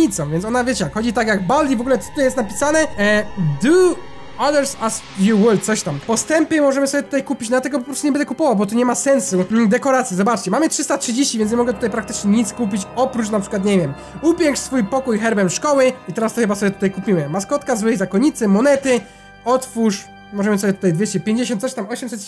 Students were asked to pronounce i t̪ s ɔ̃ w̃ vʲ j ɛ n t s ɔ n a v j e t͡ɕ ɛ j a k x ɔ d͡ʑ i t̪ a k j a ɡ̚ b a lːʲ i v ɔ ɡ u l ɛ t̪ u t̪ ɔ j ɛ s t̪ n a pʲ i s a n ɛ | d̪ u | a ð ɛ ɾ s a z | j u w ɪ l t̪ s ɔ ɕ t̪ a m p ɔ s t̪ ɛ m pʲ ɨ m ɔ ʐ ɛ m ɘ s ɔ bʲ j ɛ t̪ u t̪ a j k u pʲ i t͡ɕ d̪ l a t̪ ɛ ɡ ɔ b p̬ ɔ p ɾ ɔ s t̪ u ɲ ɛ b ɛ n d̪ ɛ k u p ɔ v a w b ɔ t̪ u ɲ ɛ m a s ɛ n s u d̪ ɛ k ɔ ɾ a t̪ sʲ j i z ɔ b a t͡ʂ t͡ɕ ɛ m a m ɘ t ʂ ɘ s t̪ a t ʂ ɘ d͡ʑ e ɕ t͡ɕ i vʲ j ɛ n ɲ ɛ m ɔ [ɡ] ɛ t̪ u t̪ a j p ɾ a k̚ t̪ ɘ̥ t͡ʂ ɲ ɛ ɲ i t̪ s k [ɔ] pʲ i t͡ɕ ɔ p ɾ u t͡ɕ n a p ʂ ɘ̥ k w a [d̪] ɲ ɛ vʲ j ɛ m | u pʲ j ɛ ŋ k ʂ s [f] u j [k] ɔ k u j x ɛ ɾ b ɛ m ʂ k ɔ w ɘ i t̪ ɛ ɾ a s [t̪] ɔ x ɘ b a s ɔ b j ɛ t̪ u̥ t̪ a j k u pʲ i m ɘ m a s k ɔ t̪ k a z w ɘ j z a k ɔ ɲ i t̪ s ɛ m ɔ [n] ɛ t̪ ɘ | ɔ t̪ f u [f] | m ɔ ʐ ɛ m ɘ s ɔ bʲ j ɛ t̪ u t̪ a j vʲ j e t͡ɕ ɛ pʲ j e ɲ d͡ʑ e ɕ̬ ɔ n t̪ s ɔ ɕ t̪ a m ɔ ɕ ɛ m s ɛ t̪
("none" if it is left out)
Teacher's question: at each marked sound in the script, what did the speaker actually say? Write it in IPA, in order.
ɡ, u, t̪, f, p, t̪, n, ʂ

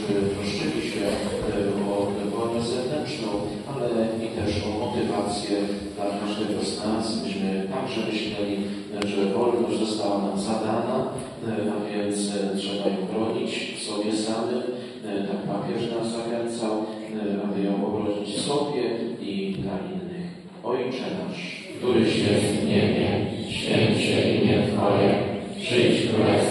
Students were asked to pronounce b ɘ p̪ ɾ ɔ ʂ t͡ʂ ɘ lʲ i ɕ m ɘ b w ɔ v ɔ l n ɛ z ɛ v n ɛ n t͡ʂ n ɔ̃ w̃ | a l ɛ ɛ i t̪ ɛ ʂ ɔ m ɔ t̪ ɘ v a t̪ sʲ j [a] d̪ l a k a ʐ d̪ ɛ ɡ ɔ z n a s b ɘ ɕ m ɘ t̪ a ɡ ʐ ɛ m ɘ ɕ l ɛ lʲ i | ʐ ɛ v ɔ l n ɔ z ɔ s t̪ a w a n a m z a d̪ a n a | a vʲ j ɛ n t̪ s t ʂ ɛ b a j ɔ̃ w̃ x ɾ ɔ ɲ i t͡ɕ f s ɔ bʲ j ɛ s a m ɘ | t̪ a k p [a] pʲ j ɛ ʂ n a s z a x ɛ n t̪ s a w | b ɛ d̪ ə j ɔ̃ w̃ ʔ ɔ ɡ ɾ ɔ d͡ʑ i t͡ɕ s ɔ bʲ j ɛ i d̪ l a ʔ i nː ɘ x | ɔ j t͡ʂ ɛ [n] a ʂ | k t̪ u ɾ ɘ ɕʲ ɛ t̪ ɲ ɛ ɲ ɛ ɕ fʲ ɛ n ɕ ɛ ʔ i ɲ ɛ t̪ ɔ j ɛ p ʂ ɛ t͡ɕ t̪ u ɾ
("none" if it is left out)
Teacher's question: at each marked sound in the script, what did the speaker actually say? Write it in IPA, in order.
ɛ, a, n

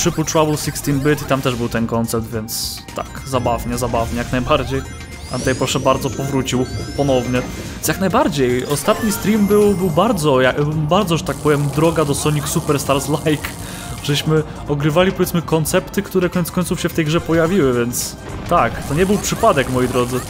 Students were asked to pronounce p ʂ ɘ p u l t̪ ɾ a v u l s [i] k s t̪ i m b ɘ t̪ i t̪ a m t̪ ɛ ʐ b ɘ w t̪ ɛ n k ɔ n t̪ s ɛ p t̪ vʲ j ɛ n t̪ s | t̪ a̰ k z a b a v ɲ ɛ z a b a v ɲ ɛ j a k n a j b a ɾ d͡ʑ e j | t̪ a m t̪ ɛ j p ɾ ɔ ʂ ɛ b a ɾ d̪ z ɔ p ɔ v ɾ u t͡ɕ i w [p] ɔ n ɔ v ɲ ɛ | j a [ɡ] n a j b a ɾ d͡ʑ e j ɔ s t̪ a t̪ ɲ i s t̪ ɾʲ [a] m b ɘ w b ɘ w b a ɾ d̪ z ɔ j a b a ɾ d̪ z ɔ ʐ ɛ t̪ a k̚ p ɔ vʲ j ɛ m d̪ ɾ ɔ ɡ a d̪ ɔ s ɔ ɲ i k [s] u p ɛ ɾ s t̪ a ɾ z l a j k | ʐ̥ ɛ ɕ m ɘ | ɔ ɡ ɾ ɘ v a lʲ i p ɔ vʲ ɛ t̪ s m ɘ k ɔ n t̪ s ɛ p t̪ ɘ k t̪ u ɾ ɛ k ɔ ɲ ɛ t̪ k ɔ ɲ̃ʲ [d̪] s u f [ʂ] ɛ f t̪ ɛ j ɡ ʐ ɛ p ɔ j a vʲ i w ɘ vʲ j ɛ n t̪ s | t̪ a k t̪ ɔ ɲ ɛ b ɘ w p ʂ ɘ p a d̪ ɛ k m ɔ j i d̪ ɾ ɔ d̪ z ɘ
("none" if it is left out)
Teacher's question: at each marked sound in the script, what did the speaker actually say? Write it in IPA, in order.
i, p, k, i, s, t̪, ɕ

